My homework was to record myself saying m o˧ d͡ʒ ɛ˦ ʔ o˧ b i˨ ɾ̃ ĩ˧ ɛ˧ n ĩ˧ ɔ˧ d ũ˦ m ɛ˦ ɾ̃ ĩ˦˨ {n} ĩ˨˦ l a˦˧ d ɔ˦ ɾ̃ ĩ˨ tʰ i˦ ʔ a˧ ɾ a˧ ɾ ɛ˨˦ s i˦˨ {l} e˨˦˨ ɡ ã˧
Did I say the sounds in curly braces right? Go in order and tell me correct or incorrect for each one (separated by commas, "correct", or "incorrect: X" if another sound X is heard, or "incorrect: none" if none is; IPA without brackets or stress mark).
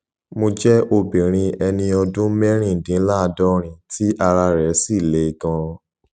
incorrect: d, correct